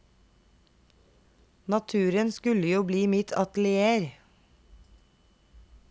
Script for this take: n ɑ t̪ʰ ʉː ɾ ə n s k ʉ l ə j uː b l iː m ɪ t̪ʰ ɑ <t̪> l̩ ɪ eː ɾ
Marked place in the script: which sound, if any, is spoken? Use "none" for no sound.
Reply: t̪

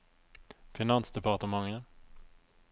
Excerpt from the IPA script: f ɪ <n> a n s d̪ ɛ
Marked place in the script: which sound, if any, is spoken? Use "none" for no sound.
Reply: n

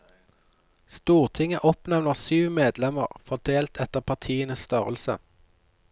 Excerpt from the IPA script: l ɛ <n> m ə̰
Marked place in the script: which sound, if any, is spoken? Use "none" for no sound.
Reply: none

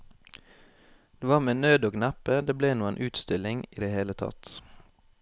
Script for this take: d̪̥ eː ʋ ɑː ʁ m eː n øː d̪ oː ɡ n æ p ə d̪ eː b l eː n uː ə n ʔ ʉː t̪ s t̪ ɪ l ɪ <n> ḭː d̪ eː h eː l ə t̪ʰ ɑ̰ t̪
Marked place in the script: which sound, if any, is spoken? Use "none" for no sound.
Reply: ŋ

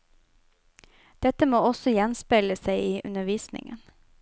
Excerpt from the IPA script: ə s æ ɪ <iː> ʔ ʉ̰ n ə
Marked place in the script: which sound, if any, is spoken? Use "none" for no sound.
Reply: iː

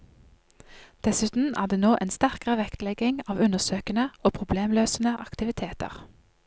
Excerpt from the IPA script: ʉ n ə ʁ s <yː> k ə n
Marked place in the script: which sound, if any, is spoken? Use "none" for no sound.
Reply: øː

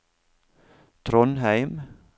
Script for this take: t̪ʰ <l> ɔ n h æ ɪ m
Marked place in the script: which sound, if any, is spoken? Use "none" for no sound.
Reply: ɾ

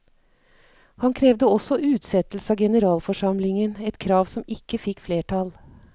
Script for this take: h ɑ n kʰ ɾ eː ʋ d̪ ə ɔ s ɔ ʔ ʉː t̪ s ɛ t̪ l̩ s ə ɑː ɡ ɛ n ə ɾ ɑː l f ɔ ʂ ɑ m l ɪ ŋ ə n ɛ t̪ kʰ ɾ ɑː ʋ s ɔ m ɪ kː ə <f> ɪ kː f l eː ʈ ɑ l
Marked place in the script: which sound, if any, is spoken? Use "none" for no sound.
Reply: f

